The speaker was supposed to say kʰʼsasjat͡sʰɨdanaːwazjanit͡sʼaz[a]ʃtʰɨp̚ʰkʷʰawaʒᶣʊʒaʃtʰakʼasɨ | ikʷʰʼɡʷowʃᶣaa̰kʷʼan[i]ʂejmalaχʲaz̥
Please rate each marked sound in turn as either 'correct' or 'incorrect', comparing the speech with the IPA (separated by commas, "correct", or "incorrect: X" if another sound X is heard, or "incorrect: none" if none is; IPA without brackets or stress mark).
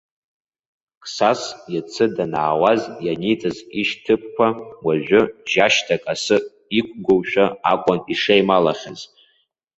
incorrect: i, correct